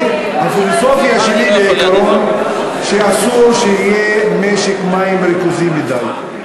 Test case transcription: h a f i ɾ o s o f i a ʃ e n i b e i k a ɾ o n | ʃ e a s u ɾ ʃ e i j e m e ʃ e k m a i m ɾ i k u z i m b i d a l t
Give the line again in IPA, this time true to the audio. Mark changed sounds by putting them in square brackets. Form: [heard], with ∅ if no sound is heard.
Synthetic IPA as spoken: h a f i [l] o s o f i a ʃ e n i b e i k a ɾ o n | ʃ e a s u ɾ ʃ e i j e m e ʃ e k m a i m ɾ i k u z i m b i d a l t